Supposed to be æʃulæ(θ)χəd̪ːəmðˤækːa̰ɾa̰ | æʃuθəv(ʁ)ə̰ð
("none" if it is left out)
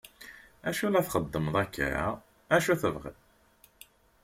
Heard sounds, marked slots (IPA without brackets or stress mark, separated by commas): θ, ʁ